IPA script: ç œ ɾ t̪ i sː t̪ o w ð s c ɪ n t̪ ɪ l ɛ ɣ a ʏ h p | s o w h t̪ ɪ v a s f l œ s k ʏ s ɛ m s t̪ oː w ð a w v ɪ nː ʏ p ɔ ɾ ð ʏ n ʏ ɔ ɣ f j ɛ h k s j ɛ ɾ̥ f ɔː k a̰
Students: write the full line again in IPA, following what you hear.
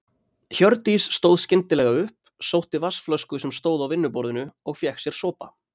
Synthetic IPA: ç œ ɾ t̪ i sː t̪ o w ð s c ɪ n t̪ ɪ l ɛ ɣ a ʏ h p | s o w h t̪ ɪ v a s f l œ s k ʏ s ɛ m s t̪ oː w ð a w v ɪ nː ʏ p ɔ ɾ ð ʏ n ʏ ɔ ɣ f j ɛ h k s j ɛ ɾ̥ s ɔː p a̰